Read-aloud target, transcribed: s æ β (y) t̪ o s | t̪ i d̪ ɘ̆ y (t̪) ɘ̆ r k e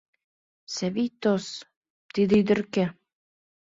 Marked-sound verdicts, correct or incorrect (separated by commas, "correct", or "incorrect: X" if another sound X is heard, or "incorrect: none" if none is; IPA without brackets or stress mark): incorrect: i, incorrect: d̪